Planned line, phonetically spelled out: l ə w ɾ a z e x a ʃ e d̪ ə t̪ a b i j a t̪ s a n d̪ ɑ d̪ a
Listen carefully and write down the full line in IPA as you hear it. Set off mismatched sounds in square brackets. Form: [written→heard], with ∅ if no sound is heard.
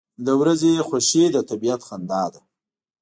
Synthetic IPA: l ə w ɾ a z e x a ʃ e d̪ ə t̪ a b i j a t̪ [s→x] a n d̪ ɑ d̪ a